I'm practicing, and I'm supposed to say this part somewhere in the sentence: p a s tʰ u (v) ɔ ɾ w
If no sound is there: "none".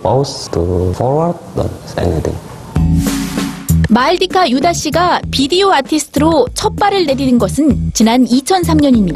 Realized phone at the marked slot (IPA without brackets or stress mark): f